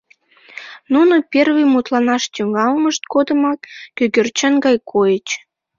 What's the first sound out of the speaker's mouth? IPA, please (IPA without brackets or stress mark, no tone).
n